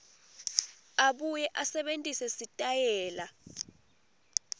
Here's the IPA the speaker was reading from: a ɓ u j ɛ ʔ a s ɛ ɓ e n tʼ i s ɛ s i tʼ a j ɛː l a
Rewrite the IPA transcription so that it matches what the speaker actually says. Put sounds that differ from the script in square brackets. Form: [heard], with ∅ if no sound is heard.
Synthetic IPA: a ɓ u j ɛ ʔ a s ɛ ɓ e n tʼ i s ɛ s i tʼ a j ɛː l a